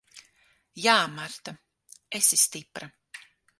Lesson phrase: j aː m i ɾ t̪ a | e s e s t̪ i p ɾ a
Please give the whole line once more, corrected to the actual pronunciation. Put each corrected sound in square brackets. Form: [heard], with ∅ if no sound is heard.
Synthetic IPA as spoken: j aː m [a] ɾ t̪ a | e s [i] s t̪ i p ɾ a